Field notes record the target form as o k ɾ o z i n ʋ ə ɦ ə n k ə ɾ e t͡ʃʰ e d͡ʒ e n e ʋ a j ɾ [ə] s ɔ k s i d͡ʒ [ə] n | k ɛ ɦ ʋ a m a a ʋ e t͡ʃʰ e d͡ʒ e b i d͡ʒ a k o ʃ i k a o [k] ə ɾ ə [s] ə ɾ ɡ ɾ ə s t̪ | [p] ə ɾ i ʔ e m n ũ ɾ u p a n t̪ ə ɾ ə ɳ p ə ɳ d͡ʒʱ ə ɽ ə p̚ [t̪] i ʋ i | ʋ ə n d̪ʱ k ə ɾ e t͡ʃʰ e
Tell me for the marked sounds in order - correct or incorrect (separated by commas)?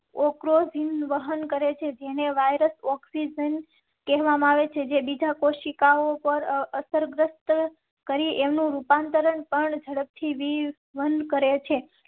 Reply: correct, correct, incorrect, correct, incorrect, incorrect